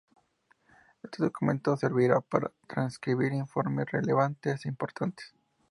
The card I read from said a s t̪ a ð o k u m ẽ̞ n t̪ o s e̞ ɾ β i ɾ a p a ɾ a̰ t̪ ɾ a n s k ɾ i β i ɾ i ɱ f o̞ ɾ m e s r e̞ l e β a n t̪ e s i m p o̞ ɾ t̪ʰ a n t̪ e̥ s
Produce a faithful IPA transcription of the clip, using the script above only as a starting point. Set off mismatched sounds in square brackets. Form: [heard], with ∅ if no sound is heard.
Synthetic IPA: [e] s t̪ [e] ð o k u m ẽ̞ n t̪ o s e̞ ɾ β i ɾ a p a ɾ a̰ t̪ ɾ a n s k ɾ i β i ɾ i ɱ f o̞ ɾ m e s r e̞ l e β a n t̪ e s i m p o̞ ɾ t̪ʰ a n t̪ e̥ s